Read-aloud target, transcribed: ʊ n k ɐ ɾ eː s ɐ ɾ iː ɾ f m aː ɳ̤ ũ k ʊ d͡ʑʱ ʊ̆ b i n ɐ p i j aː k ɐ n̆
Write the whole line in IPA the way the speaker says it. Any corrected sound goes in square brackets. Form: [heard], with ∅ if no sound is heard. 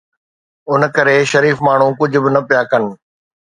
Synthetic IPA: ʊ n k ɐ ɾ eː [ʃ] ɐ ɾ iː [∅] f m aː ɳ̤ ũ k ʊ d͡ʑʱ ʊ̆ b [ɪ] n ɐ p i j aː k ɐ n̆